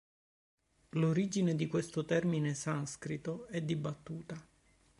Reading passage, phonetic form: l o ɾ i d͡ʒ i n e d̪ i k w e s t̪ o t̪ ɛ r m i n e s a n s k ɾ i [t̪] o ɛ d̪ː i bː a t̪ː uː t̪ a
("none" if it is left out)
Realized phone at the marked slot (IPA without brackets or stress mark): t̪